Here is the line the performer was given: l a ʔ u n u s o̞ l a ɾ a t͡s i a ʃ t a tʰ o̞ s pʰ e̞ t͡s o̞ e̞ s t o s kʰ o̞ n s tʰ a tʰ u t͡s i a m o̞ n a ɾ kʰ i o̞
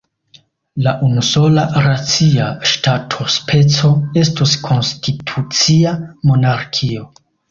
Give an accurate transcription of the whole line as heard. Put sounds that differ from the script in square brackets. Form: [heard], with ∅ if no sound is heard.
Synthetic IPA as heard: l a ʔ u n u s o̞ l a ɾ a t͡s i a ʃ t a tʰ o̞ s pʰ e̞ t͡s o̞ e̞ s t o s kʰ o̞ n s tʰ [i] tʰ u t͡s i a m o̞ n a ɾ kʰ i o̞